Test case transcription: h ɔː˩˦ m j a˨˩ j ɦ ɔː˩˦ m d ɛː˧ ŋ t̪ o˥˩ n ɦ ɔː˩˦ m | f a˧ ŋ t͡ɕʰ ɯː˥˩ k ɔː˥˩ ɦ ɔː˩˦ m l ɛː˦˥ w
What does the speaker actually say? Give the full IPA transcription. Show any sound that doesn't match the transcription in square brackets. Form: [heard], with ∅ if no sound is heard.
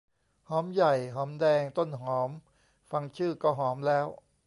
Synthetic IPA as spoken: h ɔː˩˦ m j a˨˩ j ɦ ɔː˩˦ m d ɛː˧ ŋ t̪ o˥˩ n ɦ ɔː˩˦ m | f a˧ ŋ t͡ɕʰ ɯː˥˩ k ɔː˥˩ ɦ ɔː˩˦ m l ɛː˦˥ w